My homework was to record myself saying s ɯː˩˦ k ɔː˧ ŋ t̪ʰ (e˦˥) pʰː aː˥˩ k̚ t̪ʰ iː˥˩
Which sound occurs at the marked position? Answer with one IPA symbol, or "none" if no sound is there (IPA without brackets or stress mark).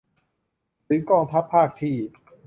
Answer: a˦˥